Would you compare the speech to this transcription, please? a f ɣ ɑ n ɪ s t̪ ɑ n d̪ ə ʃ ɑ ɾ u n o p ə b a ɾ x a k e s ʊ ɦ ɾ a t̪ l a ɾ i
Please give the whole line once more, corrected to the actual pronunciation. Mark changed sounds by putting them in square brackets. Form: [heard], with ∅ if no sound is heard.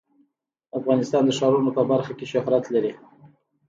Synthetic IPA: a f ɣ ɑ n ɪ s t̪ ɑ n d̪ ə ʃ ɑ ɾ u n o p ə b a ɾ x a k e [ʃ] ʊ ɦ ɾ a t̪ l a ɾ i